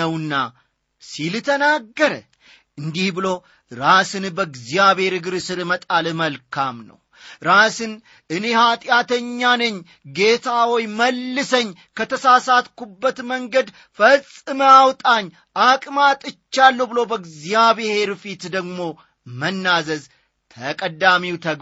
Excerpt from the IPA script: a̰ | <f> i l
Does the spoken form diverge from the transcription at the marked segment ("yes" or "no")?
yes